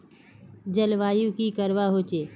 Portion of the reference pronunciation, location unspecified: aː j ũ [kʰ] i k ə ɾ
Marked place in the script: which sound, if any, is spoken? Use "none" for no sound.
k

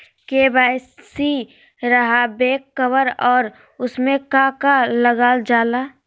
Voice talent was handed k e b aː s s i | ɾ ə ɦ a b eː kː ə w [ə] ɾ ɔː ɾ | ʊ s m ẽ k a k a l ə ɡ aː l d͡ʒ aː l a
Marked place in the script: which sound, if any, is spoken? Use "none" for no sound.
ə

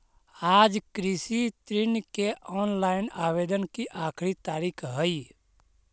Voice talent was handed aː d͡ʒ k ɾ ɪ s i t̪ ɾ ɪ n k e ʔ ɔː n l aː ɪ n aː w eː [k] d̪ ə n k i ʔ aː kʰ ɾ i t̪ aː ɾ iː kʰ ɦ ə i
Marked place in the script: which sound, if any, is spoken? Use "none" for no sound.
none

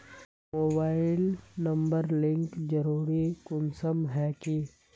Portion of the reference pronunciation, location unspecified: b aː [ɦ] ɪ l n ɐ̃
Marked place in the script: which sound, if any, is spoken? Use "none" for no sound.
none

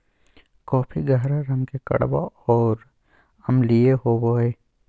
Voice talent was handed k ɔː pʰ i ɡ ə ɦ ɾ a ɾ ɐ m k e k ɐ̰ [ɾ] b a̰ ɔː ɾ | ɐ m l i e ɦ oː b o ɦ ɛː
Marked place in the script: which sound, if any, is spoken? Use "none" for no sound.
ɽ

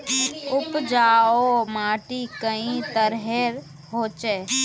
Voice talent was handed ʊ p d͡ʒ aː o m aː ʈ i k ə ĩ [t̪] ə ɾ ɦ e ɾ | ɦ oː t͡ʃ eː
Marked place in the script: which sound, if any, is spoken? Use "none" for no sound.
t̪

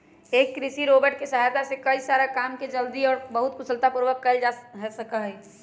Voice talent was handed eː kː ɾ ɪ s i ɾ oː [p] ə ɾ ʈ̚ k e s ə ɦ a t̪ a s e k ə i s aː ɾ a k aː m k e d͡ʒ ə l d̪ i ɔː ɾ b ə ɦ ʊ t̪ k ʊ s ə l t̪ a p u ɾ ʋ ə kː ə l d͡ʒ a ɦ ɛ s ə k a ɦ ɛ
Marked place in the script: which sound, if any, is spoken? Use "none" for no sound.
b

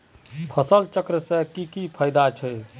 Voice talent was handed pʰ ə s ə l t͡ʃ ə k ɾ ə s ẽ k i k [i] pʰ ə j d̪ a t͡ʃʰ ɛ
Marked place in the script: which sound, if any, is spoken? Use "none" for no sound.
i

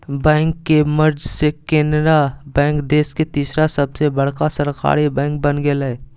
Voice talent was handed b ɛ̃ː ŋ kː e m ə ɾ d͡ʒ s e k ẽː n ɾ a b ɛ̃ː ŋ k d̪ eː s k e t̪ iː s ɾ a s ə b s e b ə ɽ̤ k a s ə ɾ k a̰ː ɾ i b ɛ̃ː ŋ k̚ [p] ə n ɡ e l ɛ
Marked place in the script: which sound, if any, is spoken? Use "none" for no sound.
b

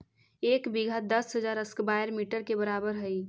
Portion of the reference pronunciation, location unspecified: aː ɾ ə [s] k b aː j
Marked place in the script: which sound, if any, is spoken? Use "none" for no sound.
s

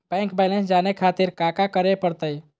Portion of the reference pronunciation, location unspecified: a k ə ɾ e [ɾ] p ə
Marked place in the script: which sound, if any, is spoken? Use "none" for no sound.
none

